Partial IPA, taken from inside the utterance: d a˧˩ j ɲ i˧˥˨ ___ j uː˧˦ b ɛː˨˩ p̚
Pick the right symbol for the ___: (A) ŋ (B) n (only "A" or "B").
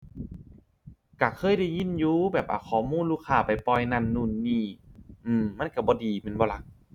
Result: B